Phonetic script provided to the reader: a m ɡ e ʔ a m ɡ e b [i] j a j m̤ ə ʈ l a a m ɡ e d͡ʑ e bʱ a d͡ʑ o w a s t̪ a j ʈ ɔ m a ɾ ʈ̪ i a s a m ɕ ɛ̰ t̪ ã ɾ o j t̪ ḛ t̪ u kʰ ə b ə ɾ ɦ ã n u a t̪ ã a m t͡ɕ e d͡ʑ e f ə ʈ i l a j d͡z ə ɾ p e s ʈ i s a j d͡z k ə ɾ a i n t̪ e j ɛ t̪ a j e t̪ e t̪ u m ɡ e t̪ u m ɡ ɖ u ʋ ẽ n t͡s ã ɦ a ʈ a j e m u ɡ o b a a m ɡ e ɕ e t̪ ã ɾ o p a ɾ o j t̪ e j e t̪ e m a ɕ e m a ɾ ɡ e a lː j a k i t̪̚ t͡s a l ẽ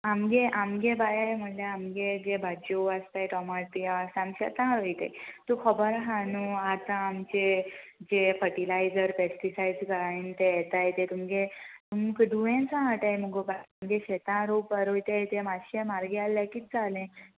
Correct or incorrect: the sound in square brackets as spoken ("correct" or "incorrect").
incorrect